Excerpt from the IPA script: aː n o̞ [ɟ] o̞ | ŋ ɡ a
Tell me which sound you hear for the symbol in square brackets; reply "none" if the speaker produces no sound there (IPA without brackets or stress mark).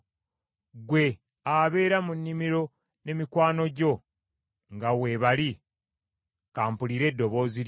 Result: ɟ